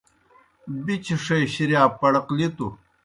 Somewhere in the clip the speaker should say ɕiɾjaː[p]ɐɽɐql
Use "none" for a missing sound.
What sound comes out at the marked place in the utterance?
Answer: p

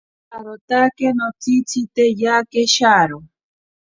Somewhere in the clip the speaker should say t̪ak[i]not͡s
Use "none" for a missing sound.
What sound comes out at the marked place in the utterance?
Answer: e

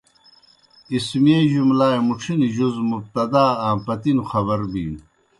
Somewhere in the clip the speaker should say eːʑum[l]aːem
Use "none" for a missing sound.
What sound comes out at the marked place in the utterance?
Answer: l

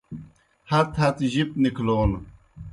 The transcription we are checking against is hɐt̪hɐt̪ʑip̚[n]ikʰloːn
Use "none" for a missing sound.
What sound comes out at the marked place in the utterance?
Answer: n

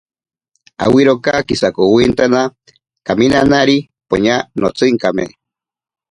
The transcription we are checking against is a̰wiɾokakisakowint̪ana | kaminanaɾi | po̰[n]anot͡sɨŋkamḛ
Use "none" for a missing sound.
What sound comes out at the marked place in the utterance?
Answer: ɲ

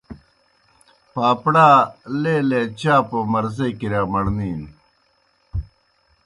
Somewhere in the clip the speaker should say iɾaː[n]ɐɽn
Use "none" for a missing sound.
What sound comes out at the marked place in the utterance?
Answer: m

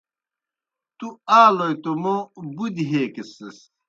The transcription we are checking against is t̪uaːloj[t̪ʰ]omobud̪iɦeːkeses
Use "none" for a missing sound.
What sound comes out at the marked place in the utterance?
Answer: t̪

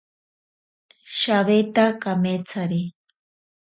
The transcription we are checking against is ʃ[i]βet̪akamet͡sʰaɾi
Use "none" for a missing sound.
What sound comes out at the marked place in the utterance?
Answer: a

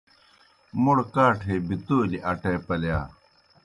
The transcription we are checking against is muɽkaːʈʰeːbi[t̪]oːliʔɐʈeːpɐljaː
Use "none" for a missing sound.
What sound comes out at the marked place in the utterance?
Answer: t̪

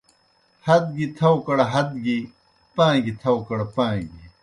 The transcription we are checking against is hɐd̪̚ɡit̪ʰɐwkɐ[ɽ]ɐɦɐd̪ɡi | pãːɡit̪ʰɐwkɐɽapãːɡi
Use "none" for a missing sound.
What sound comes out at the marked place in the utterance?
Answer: ɽ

